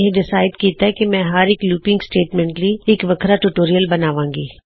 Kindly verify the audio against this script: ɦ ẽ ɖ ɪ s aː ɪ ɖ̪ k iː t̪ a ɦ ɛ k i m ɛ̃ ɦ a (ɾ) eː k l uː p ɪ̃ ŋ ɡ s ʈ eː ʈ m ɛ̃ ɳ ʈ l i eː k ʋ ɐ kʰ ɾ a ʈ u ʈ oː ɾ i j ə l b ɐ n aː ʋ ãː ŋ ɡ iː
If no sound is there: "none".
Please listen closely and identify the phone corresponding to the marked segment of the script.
ɾ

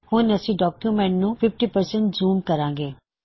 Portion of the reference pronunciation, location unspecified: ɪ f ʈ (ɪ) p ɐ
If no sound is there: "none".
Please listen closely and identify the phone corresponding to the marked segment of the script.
i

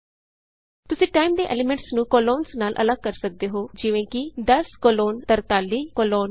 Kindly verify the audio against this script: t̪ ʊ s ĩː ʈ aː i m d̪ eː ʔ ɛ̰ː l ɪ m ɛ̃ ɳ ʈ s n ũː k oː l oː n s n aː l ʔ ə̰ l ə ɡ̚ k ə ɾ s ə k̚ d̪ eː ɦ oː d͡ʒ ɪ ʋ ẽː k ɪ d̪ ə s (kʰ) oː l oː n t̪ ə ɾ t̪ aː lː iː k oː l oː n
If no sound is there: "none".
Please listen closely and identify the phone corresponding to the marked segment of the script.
k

